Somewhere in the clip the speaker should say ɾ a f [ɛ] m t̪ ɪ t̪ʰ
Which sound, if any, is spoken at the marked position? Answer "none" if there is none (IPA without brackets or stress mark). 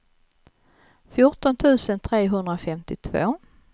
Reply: ɛ